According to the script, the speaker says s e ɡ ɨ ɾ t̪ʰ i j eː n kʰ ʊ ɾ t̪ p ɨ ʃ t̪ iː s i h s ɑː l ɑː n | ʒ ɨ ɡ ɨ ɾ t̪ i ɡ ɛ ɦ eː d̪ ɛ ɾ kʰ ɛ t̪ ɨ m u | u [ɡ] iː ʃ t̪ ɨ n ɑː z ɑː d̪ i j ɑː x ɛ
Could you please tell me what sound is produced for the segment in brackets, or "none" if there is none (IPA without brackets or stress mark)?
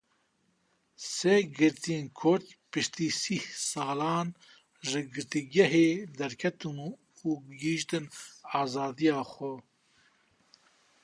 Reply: ɡ